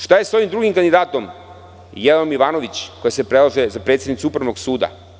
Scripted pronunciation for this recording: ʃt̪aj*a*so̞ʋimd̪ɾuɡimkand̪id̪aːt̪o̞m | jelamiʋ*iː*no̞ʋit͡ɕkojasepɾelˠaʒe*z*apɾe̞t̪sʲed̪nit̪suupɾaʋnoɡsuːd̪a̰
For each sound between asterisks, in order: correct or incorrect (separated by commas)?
incorrect, incorrect, correct